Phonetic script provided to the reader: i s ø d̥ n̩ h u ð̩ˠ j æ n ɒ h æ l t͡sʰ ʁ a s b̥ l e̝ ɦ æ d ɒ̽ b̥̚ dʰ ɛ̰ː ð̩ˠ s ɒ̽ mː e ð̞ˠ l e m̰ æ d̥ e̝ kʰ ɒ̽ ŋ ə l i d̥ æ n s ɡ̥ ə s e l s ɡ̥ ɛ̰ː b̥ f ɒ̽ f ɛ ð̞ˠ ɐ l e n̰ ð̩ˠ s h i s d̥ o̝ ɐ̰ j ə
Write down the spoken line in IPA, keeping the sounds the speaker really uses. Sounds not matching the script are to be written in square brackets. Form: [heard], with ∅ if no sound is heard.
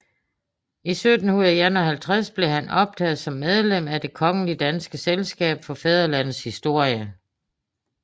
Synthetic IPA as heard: i s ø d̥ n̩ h u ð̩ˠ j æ n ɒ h æ l t͡sʰ ʁ a s b̥ l e̝ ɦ æ [n] ɒ̽ b̥̚ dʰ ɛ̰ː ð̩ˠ s ɒ̽ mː e ð̞ˠ l e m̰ æ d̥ e̝ kʰ ɒ̽ ŋ ə l i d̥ æ n s ɡ̥ ə s e l s ɡ̥ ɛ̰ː b̥ f ɒ̽ f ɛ ð̞ˠ ɐ l [æ] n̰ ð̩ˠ s h i s d̥ o̝ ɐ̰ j ə

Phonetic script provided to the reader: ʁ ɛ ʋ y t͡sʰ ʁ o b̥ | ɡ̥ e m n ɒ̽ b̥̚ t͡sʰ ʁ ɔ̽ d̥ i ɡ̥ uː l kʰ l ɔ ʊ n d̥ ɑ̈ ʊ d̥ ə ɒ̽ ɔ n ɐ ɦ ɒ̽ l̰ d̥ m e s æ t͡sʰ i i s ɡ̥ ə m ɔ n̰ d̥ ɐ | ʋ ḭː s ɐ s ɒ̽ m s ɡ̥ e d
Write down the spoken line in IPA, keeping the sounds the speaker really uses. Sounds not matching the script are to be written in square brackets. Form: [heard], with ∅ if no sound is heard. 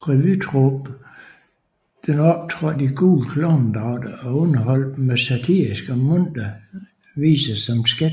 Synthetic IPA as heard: ʁ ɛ ʋ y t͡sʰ ʁ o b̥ | [d̥] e [∅] n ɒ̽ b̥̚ t͡sʰ ʁ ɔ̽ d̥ i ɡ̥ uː l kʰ l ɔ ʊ n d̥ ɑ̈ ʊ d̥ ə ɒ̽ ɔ n ɐ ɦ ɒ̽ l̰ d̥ m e s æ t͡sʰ i i s ɡ̥ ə m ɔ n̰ d̥ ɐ | ʋ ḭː s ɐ s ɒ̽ m s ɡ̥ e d

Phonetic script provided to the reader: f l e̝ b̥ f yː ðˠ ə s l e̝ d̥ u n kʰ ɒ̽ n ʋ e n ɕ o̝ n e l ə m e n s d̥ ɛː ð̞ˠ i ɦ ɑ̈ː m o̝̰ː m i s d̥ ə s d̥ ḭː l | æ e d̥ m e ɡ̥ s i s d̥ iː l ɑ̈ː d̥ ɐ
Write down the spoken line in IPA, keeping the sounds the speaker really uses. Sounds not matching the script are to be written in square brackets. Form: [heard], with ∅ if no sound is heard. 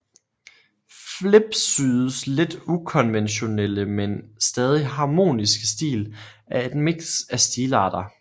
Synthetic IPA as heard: f l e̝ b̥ [s] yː ðˠ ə s l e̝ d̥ u [∅] kʰ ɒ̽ n ʋ e n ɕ o̝ n e l ə m e n s d̥ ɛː ð̞ˠ i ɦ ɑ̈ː m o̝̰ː [n] i s [ɡ̥] ə s d̥ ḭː l | æ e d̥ m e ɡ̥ s [æ] s d̥ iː l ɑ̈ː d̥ ɐ

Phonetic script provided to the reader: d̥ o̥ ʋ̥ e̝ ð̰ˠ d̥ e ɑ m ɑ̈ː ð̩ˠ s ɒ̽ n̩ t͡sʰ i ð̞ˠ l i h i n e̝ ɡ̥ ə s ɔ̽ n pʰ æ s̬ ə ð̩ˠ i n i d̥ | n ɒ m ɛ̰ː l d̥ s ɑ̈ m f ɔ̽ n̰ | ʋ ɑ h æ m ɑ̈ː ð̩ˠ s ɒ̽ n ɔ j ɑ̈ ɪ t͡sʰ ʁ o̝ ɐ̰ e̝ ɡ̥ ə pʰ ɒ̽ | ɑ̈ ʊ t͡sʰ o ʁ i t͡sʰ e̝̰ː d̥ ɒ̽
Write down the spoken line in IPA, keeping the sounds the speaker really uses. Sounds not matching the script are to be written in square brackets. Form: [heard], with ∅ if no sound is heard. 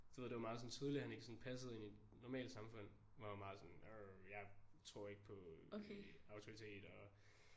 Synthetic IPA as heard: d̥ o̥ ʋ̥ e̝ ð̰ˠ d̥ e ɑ m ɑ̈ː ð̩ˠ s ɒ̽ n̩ t͡sʰ i ð̞ˠ l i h [æ] n e̝ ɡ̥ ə s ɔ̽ n pʰ æ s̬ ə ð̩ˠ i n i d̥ | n ɒ m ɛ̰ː l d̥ s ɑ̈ m f ɔ̽ n̰ | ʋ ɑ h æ m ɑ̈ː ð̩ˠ s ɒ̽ n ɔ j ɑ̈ ɪ t͡sʰ ʁ o̝ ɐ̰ e̝ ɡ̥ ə pʰ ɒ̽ | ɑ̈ ʊ t͡sʰ o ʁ i t͡sʰ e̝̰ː d̥ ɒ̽

